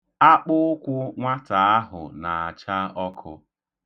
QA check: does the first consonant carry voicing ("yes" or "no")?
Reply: no